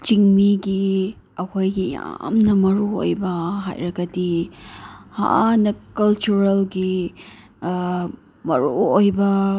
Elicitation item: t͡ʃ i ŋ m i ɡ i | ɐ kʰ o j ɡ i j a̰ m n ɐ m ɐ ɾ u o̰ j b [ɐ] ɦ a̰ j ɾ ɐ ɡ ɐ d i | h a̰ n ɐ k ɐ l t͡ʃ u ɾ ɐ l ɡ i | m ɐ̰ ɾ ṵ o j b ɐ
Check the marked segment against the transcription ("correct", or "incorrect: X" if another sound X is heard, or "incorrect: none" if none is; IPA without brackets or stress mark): correct